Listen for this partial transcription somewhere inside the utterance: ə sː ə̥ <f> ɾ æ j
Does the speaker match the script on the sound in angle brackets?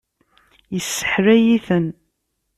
no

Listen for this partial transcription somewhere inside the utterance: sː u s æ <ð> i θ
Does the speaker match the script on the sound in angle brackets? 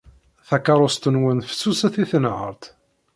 no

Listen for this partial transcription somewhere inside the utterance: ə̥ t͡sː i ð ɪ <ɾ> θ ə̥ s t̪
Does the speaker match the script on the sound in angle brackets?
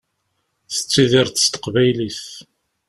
yes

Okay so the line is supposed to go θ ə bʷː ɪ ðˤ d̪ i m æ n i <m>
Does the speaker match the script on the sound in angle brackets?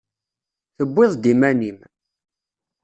yes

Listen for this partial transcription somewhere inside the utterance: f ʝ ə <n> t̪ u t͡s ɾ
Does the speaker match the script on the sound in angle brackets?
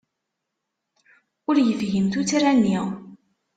no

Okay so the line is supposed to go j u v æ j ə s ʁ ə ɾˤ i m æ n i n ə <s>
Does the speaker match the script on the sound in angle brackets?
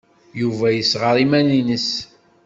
yes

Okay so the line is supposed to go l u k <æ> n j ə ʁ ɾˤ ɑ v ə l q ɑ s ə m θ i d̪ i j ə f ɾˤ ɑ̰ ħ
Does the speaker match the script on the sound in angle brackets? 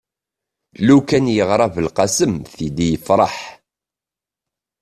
yes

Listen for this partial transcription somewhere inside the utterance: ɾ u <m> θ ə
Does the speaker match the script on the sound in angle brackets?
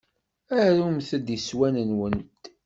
yes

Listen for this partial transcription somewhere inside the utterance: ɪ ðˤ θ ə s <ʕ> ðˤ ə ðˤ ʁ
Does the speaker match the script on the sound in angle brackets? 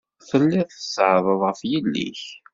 yes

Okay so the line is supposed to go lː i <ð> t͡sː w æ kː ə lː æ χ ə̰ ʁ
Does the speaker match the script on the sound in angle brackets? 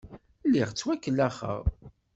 no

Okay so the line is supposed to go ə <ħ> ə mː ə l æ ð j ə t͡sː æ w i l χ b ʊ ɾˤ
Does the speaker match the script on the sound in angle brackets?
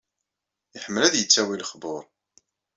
yes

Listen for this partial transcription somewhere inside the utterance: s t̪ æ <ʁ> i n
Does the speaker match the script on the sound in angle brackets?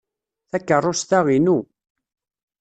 yes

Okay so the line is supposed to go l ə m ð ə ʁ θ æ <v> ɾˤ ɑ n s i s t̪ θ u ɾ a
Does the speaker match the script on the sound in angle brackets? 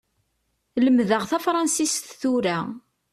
no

